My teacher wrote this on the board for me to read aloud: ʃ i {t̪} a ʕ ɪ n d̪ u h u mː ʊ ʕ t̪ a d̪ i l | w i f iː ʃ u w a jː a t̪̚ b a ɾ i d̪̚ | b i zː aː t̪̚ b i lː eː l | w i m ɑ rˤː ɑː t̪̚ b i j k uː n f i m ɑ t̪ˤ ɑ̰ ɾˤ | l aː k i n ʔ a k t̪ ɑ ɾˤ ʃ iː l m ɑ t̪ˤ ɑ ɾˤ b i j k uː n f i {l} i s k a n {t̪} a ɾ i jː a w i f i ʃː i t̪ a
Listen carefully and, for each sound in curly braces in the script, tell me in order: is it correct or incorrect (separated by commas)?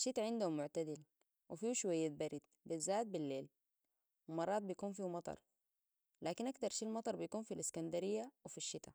correct, correct, incorrect